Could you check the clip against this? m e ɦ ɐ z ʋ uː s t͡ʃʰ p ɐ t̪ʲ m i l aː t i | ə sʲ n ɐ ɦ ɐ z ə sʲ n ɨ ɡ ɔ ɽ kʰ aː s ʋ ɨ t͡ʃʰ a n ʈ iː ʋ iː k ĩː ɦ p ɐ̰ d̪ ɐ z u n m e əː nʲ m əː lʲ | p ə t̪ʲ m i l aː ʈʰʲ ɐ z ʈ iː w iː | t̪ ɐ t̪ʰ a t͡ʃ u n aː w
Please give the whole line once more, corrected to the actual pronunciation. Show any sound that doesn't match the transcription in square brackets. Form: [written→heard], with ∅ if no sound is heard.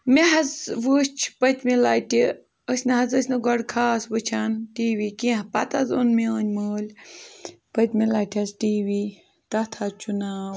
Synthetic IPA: m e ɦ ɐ z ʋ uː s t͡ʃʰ p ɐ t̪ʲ m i l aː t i | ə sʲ n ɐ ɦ ɐ z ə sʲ n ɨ ɡ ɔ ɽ kʰ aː s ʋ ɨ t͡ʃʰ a n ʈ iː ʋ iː k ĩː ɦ p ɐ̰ [d̪→t̪] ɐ z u n m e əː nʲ m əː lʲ | p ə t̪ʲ m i l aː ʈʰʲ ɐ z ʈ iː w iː | t̪ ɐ t̪ʰ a t͡ʃ u n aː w